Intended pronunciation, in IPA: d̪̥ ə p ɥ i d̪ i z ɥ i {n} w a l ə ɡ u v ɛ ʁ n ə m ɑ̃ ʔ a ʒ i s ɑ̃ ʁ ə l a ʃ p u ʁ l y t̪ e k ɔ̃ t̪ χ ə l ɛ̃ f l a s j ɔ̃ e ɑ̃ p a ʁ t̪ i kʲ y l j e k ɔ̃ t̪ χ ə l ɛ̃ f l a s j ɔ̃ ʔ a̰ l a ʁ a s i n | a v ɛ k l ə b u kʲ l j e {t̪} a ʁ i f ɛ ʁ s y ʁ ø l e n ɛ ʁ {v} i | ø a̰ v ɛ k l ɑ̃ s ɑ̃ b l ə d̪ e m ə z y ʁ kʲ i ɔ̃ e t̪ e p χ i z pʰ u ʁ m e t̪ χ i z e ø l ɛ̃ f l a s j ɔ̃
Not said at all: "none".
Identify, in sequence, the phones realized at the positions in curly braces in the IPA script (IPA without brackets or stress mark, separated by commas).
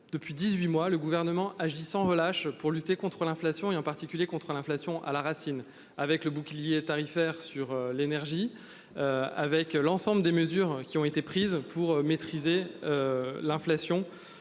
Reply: m, t̪, ʒ